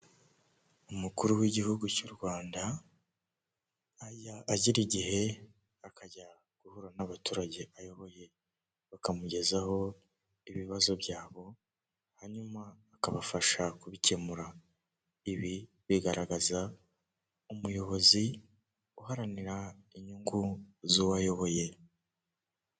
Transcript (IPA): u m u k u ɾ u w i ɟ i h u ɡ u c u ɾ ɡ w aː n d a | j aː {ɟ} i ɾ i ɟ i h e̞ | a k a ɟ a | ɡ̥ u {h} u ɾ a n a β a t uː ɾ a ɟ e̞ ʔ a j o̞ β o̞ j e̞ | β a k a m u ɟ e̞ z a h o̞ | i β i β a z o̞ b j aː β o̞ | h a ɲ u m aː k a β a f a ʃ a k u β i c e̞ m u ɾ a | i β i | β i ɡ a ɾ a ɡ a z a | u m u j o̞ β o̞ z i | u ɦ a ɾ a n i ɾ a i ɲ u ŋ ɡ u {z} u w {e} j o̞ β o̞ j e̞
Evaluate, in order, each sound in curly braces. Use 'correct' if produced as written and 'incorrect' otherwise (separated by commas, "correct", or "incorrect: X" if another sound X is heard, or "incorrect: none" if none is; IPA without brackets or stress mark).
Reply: correct, correct, correct, incorrect: a